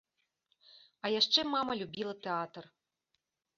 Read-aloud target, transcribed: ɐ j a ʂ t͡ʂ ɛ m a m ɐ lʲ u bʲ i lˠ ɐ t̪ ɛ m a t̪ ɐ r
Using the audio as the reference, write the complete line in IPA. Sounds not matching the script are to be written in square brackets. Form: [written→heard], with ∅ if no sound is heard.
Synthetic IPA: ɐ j a ʂ t͡ʂ ɛ m a m ɐ lʲ u bʲ i lˠ ɐ t̪ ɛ [m→∅] a t̪ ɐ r